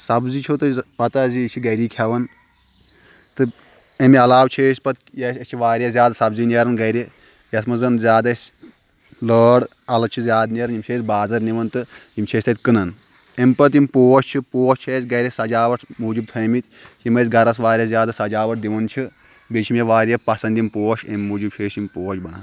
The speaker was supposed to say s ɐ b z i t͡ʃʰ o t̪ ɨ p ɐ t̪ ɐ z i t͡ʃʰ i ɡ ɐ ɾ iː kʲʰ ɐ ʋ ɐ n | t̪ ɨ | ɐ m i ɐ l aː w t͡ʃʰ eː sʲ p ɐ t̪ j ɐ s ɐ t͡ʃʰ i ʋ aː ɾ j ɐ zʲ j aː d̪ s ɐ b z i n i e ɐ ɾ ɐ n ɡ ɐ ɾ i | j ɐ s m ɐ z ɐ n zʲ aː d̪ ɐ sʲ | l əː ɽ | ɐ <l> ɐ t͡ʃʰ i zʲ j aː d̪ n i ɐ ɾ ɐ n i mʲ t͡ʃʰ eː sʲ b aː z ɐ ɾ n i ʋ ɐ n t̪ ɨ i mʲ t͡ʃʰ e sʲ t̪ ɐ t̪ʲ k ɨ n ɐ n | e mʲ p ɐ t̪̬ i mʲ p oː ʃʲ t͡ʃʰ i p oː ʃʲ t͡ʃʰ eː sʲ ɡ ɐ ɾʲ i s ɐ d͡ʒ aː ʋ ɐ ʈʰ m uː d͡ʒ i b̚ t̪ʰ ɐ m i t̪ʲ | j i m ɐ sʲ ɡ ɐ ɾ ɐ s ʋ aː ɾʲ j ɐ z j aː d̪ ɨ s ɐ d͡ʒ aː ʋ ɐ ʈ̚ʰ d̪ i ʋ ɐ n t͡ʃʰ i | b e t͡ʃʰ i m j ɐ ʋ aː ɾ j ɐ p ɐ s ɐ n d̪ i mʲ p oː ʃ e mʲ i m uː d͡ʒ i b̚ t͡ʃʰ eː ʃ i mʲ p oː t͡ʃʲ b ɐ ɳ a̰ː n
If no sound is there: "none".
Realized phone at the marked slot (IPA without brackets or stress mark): l